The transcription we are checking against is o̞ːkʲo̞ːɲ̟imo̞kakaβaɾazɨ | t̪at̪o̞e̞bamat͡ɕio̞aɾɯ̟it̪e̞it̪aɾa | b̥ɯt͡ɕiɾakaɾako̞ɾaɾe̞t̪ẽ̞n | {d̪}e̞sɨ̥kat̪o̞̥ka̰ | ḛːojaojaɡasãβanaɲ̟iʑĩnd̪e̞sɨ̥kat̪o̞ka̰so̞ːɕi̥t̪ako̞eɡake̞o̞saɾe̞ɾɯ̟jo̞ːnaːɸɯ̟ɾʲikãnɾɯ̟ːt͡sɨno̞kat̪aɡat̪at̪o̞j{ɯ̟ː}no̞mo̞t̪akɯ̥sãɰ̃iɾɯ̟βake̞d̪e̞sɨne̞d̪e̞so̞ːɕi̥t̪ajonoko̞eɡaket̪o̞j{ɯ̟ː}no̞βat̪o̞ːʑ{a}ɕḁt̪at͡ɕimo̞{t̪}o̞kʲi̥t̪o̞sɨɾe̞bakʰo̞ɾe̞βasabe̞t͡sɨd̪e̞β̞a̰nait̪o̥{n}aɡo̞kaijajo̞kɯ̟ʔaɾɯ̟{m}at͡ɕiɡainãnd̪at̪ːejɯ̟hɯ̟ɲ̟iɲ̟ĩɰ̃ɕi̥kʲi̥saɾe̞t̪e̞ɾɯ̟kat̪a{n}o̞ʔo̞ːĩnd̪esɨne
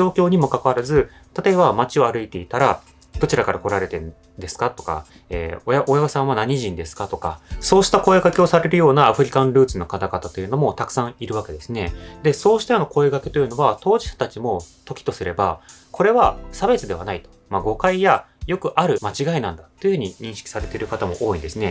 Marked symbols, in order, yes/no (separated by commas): yes, no, no, no, yes, no, yes, no